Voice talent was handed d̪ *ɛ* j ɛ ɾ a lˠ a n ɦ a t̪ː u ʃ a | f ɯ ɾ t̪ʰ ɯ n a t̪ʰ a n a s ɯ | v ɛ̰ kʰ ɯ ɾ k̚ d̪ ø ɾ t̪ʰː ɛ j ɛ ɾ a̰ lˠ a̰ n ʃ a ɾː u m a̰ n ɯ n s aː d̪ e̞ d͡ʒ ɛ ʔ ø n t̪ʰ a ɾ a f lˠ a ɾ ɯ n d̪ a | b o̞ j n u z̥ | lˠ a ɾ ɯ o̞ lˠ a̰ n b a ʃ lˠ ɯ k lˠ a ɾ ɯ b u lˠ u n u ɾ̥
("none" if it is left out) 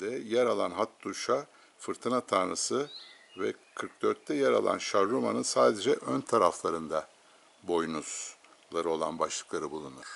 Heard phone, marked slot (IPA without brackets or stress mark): ɛ